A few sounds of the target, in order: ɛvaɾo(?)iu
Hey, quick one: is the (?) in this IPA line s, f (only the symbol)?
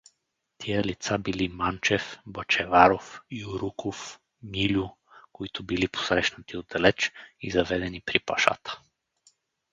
f